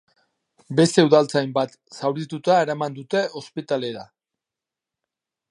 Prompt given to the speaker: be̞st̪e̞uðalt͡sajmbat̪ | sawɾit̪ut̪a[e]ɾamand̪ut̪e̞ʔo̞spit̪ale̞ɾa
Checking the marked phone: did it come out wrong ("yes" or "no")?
no